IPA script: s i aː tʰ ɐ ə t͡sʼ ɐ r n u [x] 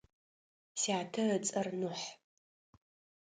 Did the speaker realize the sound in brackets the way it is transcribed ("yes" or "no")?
no